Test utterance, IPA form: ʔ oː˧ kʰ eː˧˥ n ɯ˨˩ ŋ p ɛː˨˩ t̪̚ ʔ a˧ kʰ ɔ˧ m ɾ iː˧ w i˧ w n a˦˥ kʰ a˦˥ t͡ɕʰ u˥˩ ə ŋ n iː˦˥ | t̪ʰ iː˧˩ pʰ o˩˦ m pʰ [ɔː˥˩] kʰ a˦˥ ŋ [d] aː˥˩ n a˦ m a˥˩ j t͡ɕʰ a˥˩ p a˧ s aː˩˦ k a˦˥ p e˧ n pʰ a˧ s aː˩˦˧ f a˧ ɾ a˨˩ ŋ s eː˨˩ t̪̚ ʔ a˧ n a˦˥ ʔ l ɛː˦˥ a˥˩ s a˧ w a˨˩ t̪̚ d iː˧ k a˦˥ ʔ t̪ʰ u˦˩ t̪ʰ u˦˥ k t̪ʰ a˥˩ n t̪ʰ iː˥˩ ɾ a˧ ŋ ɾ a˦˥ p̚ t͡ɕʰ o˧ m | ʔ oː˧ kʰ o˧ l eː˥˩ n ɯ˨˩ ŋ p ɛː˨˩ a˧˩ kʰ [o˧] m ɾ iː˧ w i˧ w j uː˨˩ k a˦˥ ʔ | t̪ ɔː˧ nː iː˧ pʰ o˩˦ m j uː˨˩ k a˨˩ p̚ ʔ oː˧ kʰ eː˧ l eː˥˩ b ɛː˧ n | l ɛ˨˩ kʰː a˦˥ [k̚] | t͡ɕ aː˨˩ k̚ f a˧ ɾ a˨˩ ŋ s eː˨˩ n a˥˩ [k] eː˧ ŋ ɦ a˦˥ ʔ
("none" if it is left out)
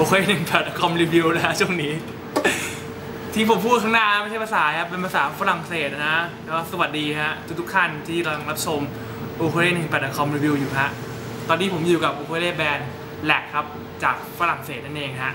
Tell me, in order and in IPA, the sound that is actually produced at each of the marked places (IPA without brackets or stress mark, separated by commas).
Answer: uː˥˩, n, ɔ˧, p̚, ʔ